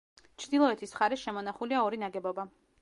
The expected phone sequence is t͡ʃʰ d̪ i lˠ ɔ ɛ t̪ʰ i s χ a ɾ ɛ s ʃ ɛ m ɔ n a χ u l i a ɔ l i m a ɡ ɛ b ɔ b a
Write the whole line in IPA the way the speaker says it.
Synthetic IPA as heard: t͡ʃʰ d̪ i lˠ ɔ ɛ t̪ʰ i s χ a ɾ ɛ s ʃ ɛ m ɔ n a χ u l i a ɔ ɾ i n a ɡ ɛ b ɔ b a